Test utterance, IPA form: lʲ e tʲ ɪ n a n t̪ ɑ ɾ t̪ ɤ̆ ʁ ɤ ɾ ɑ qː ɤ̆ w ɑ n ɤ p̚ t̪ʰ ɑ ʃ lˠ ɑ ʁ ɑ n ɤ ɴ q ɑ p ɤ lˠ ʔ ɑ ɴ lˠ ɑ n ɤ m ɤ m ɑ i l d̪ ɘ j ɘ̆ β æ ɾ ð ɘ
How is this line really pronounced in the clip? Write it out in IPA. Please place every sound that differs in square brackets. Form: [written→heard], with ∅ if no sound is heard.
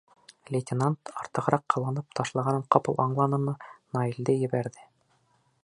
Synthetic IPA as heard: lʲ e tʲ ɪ n a n t̪ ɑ ɾ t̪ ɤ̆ ʁ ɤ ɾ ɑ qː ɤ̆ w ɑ n ɤ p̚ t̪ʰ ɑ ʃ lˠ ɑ ʁ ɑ n ɤ ɴ q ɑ p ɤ lˠ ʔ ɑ ɴ lˠ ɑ n ɤ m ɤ [m→n] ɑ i l d̪ ɘ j ɘ̆ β æ ɾ ð ɘ